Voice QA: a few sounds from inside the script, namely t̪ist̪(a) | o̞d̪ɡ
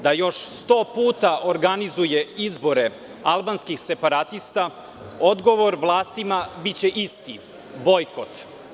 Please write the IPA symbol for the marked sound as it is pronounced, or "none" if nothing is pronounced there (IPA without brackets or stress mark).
a